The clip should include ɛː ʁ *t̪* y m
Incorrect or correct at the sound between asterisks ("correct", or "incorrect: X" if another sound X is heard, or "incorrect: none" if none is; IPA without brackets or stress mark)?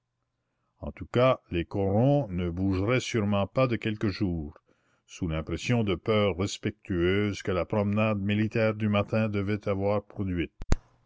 incorrect: d̪